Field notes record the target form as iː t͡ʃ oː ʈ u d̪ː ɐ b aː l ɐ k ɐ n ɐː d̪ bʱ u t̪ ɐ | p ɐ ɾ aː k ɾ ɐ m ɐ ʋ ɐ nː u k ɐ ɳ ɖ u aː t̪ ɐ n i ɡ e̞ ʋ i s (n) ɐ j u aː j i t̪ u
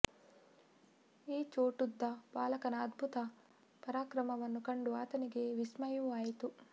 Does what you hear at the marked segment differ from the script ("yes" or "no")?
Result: yes